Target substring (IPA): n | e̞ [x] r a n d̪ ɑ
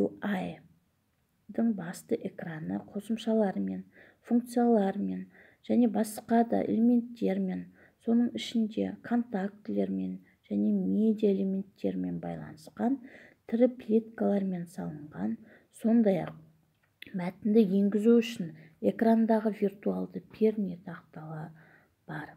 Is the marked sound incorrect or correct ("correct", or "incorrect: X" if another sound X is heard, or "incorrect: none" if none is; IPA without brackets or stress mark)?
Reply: incorrect: k